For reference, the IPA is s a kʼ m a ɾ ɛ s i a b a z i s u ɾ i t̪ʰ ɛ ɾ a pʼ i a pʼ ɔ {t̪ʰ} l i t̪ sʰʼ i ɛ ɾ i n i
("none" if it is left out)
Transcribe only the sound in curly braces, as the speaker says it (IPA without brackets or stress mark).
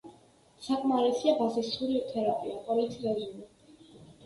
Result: none